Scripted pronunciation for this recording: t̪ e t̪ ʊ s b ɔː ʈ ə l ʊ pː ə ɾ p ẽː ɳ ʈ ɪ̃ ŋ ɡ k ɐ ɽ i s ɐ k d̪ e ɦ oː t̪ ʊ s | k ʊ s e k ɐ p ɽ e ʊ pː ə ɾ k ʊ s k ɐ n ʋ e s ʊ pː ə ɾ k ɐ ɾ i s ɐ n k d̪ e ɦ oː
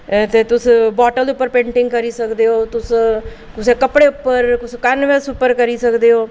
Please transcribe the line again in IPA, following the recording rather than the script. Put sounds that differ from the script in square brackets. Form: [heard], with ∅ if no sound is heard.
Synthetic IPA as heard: t̪ e t̪ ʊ s b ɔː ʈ ə l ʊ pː ə ɾ p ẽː ɳ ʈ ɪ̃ ŋ ɡ k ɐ [ɾ] i s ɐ k d̪ e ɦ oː t̪ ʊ s | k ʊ s e k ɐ p ɽ e ʊ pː ə ɾ k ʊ s k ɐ n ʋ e s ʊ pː ə ɾ k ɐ ɾ i s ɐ [∅] k d̪ e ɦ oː